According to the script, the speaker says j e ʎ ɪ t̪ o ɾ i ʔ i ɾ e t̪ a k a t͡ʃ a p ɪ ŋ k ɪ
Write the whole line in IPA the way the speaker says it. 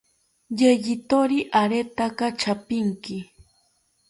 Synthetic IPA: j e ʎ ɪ t̪ o ɾ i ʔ a ɾ e t̪ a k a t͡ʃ a p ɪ ŋ k ɪ